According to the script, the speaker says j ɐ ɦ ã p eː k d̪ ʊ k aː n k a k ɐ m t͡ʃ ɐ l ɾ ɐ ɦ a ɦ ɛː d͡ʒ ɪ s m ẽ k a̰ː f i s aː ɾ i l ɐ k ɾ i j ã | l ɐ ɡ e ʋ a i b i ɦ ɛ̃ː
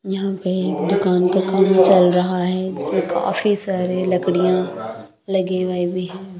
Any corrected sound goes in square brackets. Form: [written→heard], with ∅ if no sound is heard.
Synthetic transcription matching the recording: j ɐ ɦ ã p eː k d̪ ʊ k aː n k a k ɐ m t͡ʃ ɐ l ɾ ɐ ɦ a ɦ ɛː d͡ʒ ɪ s m ẽ k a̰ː f i s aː ɾ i l ɐ k [ɾ→ɽ] i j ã | l ɐ ɡ e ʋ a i b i ɦ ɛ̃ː